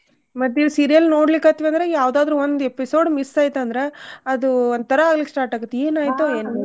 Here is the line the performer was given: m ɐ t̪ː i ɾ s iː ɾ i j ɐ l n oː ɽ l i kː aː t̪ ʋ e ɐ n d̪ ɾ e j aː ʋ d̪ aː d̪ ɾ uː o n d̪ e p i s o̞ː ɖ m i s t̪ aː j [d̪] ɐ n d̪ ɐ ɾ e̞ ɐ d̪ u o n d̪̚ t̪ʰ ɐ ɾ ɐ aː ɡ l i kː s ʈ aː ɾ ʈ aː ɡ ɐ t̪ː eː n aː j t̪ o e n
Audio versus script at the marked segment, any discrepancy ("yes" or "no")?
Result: yes